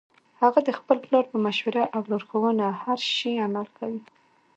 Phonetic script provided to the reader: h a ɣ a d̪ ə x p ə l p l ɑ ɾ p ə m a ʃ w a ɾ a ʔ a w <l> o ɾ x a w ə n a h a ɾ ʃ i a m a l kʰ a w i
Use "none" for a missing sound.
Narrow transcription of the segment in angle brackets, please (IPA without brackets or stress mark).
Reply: l